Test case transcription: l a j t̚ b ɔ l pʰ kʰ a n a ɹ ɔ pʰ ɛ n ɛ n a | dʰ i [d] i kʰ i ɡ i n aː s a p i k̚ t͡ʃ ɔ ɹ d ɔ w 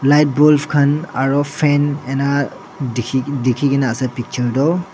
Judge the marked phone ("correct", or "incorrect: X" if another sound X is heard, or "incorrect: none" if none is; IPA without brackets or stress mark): correct